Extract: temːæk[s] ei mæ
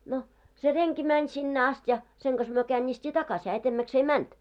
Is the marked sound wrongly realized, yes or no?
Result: no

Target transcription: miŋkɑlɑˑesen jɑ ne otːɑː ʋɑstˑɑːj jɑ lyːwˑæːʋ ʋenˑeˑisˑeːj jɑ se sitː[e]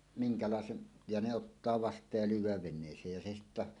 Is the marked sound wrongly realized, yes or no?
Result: yes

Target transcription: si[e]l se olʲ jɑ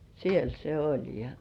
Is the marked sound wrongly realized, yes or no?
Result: no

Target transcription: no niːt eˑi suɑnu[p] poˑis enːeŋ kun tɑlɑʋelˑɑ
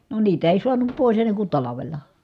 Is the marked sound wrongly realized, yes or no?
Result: no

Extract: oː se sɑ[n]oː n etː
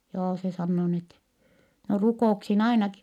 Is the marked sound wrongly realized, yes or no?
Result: yes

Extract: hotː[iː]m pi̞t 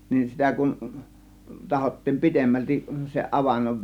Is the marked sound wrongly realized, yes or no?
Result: no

